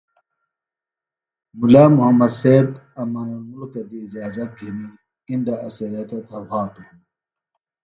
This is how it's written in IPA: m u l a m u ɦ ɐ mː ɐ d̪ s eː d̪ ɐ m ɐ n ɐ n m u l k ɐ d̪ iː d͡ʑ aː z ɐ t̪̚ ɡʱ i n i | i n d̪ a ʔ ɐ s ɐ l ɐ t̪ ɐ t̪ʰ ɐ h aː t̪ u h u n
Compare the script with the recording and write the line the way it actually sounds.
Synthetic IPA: m u l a m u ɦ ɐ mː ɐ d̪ s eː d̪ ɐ m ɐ n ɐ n m u l k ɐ d̪ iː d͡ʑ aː z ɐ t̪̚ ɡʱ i n i | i n d̪ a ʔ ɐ s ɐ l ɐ t̪ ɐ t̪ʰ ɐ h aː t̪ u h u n